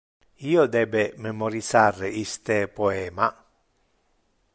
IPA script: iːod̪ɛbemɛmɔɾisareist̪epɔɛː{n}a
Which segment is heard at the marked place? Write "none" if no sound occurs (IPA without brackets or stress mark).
m